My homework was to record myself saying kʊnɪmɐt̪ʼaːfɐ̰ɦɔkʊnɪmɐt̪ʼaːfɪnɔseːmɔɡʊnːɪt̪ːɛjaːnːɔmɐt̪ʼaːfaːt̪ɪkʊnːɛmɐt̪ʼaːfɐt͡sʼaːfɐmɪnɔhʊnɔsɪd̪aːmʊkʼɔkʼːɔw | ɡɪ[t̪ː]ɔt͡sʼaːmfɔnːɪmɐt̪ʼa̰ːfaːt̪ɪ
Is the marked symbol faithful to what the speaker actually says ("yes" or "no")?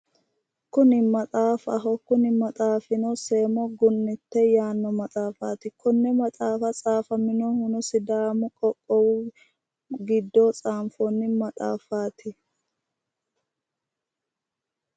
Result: no